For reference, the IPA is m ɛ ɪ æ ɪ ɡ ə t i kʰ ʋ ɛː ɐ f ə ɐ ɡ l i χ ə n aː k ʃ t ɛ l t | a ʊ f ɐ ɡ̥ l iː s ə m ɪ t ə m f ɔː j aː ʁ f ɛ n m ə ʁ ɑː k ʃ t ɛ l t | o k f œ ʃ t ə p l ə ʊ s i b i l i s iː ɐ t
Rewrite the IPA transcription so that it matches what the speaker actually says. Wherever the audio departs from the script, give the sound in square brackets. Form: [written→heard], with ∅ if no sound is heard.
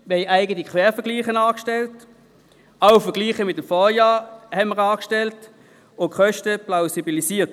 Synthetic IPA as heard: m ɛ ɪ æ ɪ ɡ ə t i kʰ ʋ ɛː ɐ f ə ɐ ɡ l [i→iː] χ ə n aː k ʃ t ɛ l t | a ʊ f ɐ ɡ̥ l iː [s→χ] ə m ɪ t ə m f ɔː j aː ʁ [f→h] ɛ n m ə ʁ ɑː k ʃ t ɛ l t | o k [f→χ] œ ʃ t ə p l [ə→a] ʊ s i b i l i s iː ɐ t